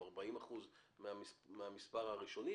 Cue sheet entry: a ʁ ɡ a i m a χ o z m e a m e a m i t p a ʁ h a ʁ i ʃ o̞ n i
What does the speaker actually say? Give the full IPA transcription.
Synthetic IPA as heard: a ʁ b a i m a χ u z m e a m e a m i s p a ʁ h a ʁ i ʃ o̞ n i